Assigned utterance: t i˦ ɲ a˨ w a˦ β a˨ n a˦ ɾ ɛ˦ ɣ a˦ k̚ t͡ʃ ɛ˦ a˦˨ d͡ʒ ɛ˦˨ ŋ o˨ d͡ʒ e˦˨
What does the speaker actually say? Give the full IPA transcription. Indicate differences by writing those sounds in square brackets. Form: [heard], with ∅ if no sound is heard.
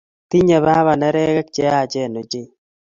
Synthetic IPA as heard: t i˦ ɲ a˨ [β] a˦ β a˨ n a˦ ɾ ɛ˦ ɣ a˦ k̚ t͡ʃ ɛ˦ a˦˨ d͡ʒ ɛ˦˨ [n] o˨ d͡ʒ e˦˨